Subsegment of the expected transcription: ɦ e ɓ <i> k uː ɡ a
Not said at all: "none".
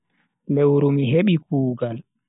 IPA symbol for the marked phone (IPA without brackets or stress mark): i